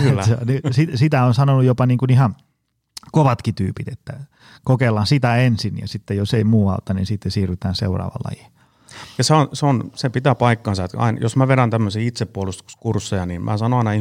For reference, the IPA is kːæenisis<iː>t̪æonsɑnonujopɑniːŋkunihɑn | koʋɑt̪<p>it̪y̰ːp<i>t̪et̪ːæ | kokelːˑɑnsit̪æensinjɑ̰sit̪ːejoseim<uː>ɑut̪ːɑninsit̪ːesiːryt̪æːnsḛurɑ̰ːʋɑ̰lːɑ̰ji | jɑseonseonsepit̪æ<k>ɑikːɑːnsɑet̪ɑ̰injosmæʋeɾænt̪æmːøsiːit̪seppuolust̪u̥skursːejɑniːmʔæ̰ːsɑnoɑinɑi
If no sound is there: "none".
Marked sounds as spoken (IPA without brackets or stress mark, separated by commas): i, k, i, uː, p